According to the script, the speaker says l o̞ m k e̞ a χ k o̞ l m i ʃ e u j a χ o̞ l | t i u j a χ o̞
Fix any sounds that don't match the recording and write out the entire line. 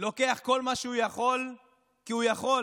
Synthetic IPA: l o̞ k e̞ a χ k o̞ l m a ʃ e u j a χ o̞ l | k i u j a χ o̞